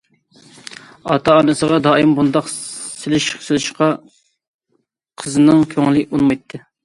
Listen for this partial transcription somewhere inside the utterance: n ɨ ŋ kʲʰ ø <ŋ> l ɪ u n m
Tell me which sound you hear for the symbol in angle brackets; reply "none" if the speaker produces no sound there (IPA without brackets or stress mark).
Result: ŋ